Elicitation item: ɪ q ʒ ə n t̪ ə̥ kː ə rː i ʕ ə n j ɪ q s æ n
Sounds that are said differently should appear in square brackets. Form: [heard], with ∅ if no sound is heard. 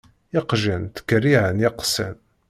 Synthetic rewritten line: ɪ q ʒ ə n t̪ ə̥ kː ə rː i ʕ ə n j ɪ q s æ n